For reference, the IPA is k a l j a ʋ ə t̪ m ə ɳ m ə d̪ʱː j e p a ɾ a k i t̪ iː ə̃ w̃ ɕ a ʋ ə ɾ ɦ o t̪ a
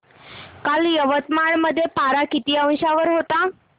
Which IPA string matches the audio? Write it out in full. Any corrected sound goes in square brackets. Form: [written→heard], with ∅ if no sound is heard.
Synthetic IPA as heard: k a l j [a→ə] ʋ ə t̪ m [ə→a] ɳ m ə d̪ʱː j e p a ɾ a k i t̪ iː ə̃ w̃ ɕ a ʋ ə ɾ ɦ o t̪ a